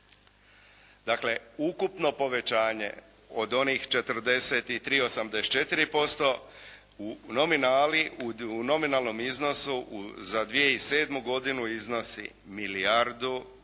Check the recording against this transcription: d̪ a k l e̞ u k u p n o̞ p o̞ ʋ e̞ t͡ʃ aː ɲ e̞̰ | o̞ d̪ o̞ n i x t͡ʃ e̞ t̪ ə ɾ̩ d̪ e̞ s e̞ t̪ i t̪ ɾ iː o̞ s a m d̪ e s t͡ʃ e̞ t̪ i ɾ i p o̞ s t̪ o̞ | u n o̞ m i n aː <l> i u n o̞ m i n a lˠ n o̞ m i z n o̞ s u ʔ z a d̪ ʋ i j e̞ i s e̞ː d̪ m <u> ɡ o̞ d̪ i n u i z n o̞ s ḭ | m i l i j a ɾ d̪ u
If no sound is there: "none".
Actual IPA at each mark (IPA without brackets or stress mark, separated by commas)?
l, u